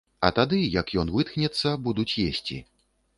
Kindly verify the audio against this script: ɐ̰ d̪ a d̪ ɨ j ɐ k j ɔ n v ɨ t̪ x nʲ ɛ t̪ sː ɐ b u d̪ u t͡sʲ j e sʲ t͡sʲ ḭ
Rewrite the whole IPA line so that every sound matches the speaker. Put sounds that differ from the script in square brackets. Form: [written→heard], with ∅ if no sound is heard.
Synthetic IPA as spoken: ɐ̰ [d̪→t̪] a d̪ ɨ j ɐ k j ɔ n v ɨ t̪ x nʲ ɛ t̪ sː ɐ b u d̪ u t͡sʲ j e sʲ t͡sʲ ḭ